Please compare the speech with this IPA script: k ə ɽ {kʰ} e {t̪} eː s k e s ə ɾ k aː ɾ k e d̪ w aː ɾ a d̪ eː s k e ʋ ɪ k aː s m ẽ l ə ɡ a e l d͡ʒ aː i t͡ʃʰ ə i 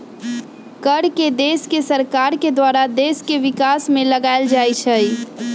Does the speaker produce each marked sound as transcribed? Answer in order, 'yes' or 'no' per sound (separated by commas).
no, no